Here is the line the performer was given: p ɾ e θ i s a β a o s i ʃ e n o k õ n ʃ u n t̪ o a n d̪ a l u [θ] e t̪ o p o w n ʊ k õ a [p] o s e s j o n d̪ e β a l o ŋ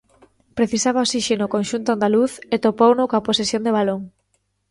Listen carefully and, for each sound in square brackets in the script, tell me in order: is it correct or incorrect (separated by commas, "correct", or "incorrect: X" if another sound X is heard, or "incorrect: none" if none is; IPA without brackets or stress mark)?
correct, correct